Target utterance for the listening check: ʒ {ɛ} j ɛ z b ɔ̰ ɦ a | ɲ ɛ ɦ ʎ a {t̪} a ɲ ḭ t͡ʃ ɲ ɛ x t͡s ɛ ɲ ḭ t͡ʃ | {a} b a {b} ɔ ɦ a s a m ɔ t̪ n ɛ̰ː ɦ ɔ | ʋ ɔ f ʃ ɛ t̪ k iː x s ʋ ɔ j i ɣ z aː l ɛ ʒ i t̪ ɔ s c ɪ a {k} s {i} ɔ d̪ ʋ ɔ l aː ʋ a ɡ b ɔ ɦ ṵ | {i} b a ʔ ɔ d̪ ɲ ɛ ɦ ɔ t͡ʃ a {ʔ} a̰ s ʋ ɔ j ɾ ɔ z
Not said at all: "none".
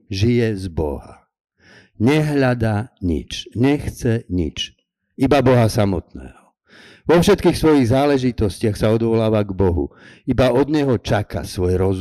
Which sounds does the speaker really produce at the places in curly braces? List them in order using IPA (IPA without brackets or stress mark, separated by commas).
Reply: i, d̪, i, b, x, a, i, k